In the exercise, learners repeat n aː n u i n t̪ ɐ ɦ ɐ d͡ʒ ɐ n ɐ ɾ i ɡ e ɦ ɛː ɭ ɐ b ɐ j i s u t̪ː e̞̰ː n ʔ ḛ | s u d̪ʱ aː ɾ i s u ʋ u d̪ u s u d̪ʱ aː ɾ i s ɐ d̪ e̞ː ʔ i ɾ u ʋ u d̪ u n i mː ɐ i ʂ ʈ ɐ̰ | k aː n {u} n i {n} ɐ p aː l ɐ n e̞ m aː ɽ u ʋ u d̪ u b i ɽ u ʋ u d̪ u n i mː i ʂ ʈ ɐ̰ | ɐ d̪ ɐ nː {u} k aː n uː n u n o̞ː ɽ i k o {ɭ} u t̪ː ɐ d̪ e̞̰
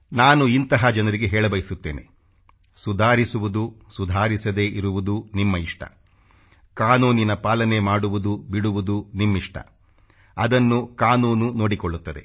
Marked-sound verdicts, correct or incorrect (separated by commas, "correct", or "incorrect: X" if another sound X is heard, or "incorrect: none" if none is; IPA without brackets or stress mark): incorrect: uː, correct, correct, incorrect: ɭː